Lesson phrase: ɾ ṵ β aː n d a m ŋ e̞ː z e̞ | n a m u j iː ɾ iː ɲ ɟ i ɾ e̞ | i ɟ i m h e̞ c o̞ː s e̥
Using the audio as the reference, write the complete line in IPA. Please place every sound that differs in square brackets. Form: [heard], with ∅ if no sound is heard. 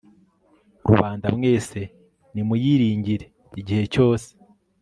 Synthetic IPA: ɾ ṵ β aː n d a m ŋ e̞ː [s] e̞ | n [i] m u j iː ɾ iː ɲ ɟ i ɾ e̞ | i ɟ i [∅] h e̞ c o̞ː s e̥